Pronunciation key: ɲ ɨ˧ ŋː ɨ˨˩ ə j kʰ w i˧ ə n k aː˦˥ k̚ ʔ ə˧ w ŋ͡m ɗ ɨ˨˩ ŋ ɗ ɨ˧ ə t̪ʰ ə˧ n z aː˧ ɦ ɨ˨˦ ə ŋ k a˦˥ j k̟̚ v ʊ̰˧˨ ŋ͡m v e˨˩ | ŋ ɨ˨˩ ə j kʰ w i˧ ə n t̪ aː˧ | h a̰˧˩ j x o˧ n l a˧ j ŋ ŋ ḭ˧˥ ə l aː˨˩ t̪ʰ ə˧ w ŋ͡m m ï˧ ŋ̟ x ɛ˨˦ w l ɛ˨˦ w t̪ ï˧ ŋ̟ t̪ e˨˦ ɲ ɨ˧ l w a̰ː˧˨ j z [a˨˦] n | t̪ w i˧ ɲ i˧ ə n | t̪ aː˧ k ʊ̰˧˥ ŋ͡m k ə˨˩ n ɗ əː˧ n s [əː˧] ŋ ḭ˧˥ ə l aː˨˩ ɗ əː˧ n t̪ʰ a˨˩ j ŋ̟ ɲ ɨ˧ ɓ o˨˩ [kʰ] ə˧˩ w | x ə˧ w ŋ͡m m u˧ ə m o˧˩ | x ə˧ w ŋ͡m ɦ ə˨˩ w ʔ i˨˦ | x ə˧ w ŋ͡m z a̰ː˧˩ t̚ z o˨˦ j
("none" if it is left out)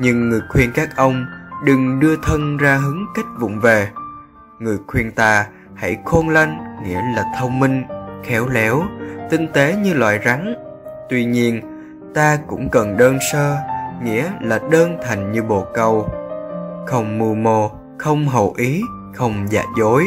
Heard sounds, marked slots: a˨˦, əː˧, k

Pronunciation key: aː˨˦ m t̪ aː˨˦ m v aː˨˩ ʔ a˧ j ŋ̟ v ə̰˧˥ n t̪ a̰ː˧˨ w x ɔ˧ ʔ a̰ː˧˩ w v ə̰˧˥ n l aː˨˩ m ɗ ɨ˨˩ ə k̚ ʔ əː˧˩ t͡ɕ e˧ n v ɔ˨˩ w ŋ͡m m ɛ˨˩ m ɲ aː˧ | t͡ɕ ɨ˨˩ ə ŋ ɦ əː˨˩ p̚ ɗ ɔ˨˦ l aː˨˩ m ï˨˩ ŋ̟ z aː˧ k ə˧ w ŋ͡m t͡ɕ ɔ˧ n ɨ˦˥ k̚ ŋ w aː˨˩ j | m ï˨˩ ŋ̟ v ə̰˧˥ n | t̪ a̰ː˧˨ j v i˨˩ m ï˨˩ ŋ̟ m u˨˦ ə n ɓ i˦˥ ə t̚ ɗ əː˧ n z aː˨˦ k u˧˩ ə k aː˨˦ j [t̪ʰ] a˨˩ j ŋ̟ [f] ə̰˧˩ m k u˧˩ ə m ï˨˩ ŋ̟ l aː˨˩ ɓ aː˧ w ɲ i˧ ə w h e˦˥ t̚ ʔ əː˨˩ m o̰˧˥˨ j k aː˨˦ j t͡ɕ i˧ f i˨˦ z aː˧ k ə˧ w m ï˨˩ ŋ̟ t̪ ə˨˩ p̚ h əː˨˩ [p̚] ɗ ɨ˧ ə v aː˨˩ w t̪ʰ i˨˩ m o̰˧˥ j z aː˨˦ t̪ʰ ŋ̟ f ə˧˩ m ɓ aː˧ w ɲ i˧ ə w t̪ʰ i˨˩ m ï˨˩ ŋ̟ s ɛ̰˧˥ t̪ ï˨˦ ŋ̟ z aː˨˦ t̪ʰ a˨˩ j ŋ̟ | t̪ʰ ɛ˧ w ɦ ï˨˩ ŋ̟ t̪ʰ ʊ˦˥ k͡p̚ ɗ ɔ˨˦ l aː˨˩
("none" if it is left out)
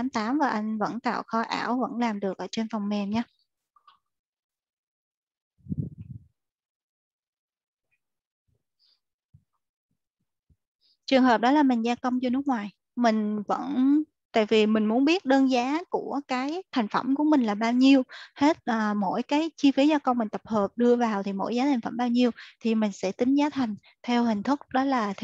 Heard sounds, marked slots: t̪ʰ, f, p̚

